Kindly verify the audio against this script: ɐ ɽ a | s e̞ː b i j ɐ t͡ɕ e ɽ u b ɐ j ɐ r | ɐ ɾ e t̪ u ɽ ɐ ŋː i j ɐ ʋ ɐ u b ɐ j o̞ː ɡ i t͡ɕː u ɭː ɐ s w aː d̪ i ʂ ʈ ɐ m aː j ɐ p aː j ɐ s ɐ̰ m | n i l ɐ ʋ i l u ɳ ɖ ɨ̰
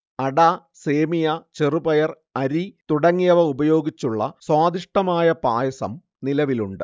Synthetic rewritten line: ɐ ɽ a | s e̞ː m i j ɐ t͡ɕ e r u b ɐ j ɐ r | ɐ ɾ i t̪ u ɽ ɐ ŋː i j ɐ ʋ ɐ u b ɐ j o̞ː ɡ i t͡ɕː u ɭː ɐ s w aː d̪ i ʂ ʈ ɐ m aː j ɐ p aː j ɐ s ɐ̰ m | n i l ɐ ʋ i l u ɳ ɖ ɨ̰